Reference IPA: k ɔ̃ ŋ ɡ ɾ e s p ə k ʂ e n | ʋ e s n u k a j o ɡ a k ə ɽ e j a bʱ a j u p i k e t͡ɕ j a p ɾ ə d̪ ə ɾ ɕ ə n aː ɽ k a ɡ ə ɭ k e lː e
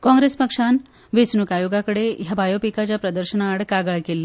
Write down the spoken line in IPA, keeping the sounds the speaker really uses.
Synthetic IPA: k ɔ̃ ŋ ɡ ɾ e s p ə k ʂ a n | ʋ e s n u k a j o ɡ a k ə ɽ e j a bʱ a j o p i k a t͡ɕ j a p ɾ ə d̪ ə ɾ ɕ ə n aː ɽ k a ɡ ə ɭ k e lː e